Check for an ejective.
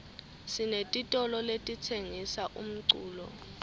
present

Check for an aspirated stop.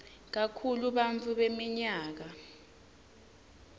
present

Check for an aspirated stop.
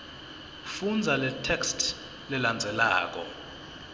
present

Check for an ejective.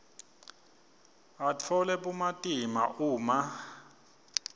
present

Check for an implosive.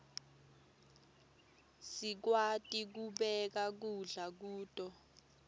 present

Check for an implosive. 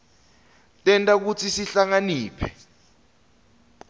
absent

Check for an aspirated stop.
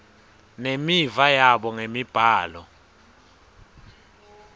absent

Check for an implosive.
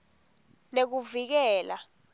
absent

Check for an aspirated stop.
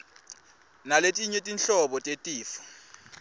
absent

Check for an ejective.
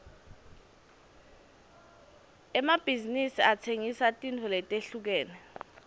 present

